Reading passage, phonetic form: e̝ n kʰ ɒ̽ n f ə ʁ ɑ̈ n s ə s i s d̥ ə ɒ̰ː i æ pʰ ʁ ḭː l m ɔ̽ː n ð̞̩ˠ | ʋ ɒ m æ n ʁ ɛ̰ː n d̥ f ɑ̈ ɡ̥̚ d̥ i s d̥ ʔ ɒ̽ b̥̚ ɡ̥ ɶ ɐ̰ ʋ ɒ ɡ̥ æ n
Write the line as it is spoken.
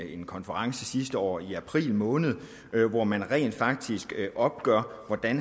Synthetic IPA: e̝ n kʰ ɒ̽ n f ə ʁ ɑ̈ ŋ s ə s i s d̥ ə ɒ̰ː i æ pʰ ʁ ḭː l m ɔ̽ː n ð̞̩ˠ | ʋ ɒ m æ n ʁ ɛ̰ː n d̥ f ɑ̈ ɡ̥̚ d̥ i s ɡ̥ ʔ ɒ̽ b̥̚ ɡ̥ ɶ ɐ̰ ʋ ɒ d̥ æ n